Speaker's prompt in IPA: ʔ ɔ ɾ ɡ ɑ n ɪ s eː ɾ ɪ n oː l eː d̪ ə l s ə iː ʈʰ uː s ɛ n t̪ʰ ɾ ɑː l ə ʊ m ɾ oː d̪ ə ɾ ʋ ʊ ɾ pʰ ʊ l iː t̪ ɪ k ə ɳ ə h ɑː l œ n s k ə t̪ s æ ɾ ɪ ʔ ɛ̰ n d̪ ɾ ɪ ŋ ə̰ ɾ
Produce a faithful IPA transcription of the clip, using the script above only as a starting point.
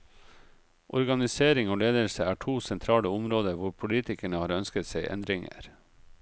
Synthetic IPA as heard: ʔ ɔ ɾ ɡ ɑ n ɪ s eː ɾ ɪ ŋ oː l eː d̪ ə l s ə æː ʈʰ uː s ɛ n t̪ʰ ɾ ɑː l ə ʊ m ɾ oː d̪ ə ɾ ʋ ʊ ɾ pʰ ʊ l iː t̪ ɪ k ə ɳ ə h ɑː ɾ œ n s k ə t̪ s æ ɪ ʔ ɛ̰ n d̪ ɾ ɪ ŋ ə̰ ɾ